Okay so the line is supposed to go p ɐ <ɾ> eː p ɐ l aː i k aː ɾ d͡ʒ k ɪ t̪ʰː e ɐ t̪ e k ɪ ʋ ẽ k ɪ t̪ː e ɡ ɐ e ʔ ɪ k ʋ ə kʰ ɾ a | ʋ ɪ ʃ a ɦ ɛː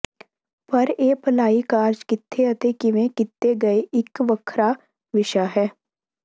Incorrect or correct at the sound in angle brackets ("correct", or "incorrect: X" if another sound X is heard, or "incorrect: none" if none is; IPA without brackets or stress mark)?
correct